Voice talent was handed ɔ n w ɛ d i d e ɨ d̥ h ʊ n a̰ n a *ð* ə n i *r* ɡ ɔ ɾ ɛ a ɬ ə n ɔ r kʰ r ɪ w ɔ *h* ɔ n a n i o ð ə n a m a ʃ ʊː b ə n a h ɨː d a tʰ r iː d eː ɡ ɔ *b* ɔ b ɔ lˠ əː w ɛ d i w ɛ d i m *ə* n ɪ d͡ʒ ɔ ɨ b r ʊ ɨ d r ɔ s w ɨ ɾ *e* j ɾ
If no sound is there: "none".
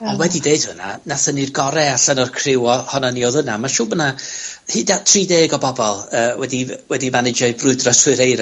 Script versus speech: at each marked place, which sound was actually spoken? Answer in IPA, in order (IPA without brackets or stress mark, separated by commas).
θ, r, h, b, a, e